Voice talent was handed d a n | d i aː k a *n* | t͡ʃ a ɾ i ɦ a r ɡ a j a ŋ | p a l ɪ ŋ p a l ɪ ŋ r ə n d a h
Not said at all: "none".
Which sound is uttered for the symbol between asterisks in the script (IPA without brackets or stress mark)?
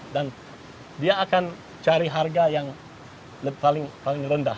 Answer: n